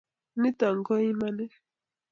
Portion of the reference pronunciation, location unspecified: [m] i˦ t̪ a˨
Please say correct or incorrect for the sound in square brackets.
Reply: incorrect: n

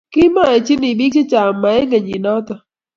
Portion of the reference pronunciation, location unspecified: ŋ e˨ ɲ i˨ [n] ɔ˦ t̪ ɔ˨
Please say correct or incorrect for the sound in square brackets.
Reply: correct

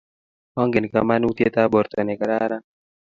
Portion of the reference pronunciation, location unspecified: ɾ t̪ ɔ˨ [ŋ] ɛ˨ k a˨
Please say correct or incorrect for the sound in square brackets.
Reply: incorrect: n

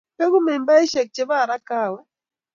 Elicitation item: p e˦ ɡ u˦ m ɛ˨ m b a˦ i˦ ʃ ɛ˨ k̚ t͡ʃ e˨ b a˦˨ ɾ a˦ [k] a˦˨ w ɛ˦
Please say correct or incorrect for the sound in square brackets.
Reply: correct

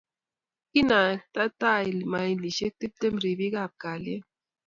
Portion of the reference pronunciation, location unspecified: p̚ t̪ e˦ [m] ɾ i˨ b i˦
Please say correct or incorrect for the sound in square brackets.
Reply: correct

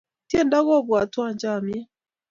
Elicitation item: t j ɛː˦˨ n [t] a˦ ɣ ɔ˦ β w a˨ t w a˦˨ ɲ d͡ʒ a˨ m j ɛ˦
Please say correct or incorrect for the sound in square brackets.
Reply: incorrect: d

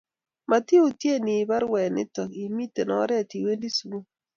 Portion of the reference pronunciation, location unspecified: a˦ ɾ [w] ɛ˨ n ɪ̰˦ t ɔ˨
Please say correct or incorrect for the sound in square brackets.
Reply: correct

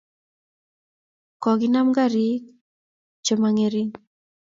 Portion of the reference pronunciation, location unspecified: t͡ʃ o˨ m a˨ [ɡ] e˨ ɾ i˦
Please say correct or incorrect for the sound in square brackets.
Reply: incorrect: ŋ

